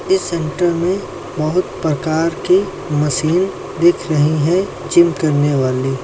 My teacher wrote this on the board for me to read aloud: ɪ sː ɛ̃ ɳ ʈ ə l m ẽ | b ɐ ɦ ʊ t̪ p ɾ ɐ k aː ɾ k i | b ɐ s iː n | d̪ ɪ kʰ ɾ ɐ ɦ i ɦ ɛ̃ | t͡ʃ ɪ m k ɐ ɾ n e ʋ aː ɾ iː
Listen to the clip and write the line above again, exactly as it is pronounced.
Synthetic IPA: ɪ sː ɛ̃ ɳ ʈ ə ɾ m ẽ | b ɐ ɦ ʊ t̪ p ɾ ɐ k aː ɾ k i | m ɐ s iː n | d̪ ɪ kʰ ɾ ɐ ɦ i ɦ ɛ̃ | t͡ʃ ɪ m k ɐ ɾ n e ʋ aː l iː

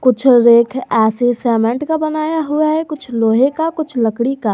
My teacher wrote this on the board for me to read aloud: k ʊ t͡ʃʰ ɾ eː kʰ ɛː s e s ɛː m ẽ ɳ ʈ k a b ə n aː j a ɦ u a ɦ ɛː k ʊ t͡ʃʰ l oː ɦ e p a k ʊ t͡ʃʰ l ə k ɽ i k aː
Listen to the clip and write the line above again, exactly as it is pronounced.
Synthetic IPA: k ʊ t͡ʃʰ ɾ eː kʰ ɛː s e s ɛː m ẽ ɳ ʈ k a b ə n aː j a ɦ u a ɦ ɛ k ʊ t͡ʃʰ l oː ɦ e k a k ʊ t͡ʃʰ l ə k ɽ i k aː

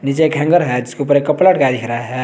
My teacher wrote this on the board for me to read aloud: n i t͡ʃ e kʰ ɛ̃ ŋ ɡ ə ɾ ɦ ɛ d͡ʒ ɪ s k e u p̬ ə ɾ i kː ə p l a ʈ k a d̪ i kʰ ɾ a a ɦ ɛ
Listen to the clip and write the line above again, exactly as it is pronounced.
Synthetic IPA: n i t͡ʃ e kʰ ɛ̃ ŋ ɡ ə ɾ ɦ ɛ d͡ʒ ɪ s k e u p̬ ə ɾ e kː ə p l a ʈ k a d̪ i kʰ ɾ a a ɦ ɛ

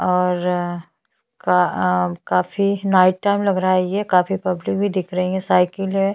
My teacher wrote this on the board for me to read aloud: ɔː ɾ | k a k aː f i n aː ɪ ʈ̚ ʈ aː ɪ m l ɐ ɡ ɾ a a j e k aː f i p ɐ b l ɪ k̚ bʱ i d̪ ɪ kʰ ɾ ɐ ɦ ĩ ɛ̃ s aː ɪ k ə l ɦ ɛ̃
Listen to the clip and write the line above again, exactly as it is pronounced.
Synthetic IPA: ɔː ɾ | k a k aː f i n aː ɪ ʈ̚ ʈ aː ɪ m l ɐ ɡ ɾ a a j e k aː f i p ɐ b l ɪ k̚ bʱ i d̪ ɪ kʰ ɾ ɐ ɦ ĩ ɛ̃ s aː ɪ k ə l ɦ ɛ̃

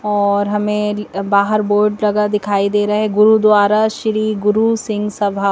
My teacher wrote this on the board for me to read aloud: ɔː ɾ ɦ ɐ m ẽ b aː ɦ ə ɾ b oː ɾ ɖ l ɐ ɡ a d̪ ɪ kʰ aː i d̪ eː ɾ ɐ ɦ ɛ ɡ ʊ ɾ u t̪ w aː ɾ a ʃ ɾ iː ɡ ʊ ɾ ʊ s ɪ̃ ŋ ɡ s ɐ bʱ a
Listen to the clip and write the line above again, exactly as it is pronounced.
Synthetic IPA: ɔː ɾ ɦ ɐ m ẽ b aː ɦ ə ɾ b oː ɾ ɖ l ɐ ɡ a d̪ ɪ kʰ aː i d̪ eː ɾ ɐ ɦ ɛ ɡ ʊ ɾ u d̪ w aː ɾ a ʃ ɾ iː ɡ ʊ ɾ u s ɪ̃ ŋ ɡ s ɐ bʱ a

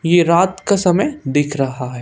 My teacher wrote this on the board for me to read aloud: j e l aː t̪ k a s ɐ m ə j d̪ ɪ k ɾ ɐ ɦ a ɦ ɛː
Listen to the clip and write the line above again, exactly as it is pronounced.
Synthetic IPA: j e ɾ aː t̪ k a s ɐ m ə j d̪ ɪ kʰ ɾ ɐ ɦ a ɦ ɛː

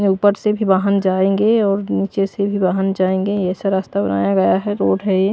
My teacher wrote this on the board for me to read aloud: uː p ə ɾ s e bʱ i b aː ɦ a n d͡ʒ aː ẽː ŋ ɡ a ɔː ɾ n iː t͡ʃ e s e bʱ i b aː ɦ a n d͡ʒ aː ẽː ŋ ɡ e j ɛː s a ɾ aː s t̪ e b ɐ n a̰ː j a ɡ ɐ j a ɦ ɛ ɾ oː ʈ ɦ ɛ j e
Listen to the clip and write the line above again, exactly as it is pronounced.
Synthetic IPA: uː p ə ɾ s e bʱ i b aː ɦ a n d͡ʒ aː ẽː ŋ ɡ e ɔː ɾ n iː t͡ʃ e s e bʱ i b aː ɦ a n d͡ʒ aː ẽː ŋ ɡ e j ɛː s a ɾ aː s t̪ a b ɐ n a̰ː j a ɡ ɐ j a ɦ ɛ ɾ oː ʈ ɦ ɛ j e

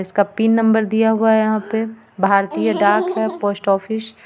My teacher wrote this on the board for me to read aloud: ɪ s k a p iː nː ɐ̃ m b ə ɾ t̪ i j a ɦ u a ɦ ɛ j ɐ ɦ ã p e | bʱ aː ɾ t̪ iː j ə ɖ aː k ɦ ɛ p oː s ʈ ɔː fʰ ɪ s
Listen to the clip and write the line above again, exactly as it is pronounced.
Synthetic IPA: ɪ s k a p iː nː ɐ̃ m b ə ɾ d̪ i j a ɦ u a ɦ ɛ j ɐ ɦ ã p e | bʱ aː ɾ t̪ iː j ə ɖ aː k ɦ ɛ p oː s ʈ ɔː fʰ ɪ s

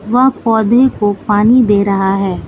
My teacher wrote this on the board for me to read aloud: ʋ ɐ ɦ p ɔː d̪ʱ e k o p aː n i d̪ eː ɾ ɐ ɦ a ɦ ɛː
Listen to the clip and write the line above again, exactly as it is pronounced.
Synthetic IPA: ʋ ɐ ɦ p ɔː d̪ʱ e k o p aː n i d̪ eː ɾ ɐ ɦ a ɦ ɛː

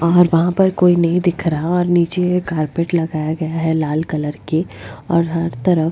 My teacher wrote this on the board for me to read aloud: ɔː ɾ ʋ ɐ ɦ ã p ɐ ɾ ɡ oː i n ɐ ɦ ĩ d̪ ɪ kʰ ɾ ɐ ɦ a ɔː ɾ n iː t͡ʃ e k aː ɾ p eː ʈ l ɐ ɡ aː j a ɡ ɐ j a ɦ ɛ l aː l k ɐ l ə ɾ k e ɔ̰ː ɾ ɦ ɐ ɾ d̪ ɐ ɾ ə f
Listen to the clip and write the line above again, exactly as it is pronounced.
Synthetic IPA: ɔː ɾ ʋ ɐ ɦ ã p ɐ ɾ k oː i n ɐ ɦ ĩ d̪ ɪ kʰ ɾ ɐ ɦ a ɔː ɾ n iː t͡ʃ e k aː ɾ p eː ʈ l ɐ ɡ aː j a ɡ ɐ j a ɦ ɛ l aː l k ɐ l ə ɾ k e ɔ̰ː ɾ ɦ ɐ ɾ t̪ ɐ ɾ ə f

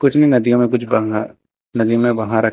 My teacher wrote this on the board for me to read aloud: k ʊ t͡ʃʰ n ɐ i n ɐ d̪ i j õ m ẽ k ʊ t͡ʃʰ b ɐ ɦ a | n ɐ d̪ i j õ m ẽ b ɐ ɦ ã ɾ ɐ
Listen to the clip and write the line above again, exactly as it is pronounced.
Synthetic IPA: k ʊ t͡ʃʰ n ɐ i n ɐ d̪ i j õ m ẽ k ʊ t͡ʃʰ b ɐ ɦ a | n ɐ d̪ i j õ m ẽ b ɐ ɦ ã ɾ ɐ

